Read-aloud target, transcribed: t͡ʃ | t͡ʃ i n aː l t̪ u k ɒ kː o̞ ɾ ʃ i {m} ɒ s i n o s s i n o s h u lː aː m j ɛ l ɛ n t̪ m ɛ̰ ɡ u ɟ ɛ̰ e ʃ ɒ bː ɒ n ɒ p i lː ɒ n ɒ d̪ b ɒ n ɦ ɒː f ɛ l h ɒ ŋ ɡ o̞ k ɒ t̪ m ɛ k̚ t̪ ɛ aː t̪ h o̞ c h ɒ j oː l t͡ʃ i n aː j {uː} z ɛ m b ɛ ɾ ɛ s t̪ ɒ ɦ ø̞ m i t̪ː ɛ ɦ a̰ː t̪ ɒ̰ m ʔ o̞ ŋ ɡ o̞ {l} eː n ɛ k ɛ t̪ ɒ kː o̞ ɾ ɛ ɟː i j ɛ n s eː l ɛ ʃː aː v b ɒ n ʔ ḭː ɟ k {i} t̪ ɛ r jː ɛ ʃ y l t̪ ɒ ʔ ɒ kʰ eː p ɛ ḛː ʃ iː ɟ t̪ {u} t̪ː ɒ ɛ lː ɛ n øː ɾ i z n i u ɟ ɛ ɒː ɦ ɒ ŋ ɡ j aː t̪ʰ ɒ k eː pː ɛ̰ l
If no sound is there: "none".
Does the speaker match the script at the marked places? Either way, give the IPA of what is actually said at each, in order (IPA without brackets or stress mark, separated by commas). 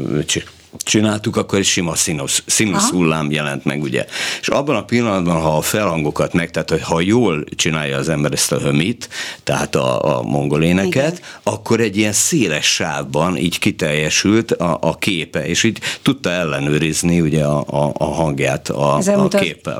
m, ɒː, l, i, u